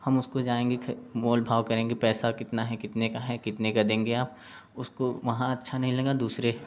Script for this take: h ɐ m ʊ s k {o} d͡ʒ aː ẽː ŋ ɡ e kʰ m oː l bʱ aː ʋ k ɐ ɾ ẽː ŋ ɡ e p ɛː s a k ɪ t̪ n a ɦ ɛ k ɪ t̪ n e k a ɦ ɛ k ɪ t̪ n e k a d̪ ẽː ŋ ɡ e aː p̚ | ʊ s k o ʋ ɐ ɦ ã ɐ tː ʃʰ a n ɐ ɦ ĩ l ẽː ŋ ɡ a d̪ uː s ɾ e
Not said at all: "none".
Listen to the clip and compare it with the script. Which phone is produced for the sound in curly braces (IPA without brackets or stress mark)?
o